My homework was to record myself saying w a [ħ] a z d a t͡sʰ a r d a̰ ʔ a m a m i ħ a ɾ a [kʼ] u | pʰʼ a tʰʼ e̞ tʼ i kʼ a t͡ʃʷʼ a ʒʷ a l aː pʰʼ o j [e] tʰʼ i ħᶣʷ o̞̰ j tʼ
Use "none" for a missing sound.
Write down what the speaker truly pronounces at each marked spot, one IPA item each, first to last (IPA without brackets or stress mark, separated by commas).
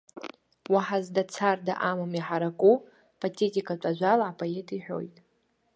ħ, kʼ, e